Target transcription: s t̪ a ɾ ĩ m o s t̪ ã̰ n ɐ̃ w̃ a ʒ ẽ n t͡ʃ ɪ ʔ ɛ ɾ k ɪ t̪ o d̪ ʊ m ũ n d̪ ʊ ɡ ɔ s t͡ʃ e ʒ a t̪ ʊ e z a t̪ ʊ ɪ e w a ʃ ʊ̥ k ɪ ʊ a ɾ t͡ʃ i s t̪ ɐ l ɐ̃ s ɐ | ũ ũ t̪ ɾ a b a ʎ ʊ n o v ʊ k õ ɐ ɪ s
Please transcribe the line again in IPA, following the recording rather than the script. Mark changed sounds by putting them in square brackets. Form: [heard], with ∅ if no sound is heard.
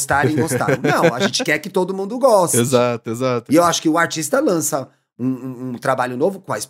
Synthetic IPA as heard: s t̪ a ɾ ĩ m o s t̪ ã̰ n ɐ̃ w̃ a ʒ ẽ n t͡ʃ ɪ [k] ɛ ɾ k ɪ t̪ o d̪ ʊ m ũ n d̪ ʊ ɡ ɔ s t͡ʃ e [z] a t̪ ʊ e z a t̪ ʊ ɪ e w a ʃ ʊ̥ k ɪ ʊ a ɾ t͡ʃ i s t̪ ɐ l ɐ̃ s ɐ | ũ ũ t̪ ɾ a b a ʎ ʊ n o v ʊ k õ ɐ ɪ s